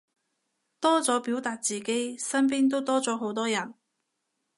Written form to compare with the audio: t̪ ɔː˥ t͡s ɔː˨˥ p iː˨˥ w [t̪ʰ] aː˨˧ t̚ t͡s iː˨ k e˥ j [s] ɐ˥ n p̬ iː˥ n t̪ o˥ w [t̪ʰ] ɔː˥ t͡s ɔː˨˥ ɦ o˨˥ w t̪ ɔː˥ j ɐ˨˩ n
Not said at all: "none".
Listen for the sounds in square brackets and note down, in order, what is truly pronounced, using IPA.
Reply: t̪, s, t̪

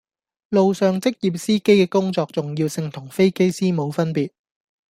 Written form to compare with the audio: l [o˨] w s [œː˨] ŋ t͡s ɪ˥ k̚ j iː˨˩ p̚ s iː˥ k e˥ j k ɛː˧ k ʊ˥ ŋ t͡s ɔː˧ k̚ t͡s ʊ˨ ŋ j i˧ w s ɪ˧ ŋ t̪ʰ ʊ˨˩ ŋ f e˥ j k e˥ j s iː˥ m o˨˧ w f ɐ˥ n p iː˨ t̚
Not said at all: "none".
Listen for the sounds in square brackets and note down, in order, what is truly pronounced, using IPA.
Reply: o˨, œː˨

